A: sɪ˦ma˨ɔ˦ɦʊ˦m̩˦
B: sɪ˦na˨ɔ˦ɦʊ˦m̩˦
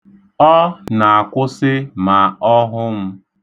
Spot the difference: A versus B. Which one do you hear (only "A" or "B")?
A